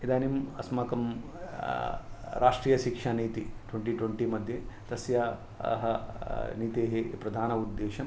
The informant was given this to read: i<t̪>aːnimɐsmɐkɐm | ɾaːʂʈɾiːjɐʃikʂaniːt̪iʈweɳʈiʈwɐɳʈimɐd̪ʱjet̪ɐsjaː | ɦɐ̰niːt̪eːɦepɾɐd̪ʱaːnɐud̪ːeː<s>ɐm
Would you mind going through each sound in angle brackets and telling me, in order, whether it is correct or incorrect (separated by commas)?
incorrect, incorrect